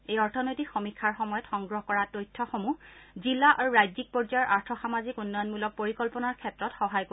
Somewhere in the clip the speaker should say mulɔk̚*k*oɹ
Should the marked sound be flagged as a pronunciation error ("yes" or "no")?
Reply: yes